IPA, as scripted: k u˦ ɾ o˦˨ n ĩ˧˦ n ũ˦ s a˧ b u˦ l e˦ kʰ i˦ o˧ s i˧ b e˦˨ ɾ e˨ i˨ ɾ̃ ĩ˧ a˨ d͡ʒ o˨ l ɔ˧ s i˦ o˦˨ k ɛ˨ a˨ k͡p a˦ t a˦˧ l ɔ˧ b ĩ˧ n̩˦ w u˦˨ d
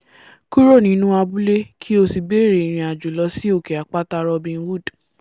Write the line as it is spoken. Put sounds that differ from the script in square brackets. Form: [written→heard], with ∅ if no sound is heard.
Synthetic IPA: k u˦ ɾ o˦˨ n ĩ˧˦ n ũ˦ [s→∅] a˧ b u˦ l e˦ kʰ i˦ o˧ s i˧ b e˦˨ ɾ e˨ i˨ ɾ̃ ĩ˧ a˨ d͡ʒ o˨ l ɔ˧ s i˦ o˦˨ k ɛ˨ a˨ k͡p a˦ t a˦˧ [l→ɾ] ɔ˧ b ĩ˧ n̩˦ w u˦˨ d